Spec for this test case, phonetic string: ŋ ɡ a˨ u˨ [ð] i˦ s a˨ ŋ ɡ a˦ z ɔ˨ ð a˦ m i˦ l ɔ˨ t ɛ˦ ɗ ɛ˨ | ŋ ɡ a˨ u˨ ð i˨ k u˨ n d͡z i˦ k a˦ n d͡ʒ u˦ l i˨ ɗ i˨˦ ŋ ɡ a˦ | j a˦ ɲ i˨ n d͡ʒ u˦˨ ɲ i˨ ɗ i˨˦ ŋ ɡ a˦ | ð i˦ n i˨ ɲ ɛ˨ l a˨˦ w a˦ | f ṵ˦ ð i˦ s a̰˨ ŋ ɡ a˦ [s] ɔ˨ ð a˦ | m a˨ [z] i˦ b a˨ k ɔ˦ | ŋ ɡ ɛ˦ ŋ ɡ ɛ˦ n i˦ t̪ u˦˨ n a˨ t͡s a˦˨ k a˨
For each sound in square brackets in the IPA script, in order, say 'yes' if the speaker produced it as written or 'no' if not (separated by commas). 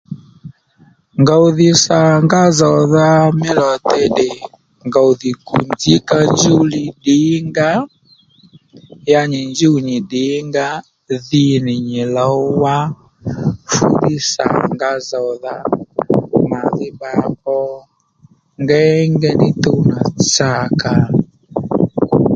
yes, no, no